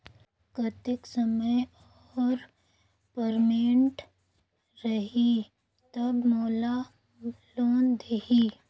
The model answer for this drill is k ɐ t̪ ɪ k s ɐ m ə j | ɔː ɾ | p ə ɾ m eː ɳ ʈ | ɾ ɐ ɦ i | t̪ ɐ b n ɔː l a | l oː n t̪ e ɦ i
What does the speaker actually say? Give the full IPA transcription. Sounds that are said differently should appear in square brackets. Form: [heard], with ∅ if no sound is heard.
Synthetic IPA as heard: k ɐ t̪ ɪ k s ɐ m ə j | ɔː ɾ | p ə ɾ m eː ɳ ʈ | ɾ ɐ ɦ i | t̪ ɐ b [m] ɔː l a | l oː n [d̪] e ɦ i